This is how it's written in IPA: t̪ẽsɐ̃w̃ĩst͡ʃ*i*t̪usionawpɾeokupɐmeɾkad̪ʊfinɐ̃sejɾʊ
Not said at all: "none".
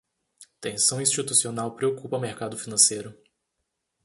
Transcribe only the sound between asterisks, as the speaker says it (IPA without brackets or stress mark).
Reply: i